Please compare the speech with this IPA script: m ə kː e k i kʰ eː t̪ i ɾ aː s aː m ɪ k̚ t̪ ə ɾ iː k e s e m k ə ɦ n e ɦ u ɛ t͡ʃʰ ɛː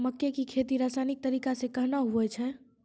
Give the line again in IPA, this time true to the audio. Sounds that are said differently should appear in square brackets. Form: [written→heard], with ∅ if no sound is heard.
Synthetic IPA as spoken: m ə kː e k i kʰ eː t̪ i ɾ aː s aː [m→n] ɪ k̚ t̪ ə ɾ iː k [e→a] s e [m→∅] k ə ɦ n [e→a] ɦ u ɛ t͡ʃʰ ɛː